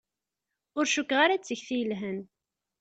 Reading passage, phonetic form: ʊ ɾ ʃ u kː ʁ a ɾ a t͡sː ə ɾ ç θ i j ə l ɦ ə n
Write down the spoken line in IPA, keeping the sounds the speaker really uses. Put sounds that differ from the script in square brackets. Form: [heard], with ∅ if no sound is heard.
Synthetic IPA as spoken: ʊ ɾ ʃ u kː ʁ a ɾ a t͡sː ə [∅] ç θ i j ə l ɦ ə n